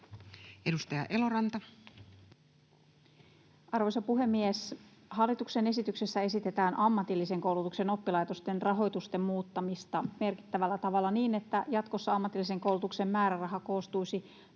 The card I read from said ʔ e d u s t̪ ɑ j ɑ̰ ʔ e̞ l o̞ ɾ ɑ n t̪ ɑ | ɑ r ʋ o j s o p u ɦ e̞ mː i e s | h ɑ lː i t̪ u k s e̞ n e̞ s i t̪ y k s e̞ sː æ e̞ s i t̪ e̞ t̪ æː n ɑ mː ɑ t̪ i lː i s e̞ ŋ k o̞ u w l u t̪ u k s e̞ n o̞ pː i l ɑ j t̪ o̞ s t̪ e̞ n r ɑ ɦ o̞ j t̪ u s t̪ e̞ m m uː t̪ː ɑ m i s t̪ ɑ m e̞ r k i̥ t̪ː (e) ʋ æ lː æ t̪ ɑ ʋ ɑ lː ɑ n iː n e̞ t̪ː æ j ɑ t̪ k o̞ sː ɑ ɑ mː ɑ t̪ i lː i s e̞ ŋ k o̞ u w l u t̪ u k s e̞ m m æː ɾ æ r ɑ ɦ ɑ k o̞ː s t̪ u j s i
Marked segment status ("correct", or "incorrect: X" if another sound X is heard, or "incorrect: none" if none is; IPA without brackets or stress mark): incorrect: æ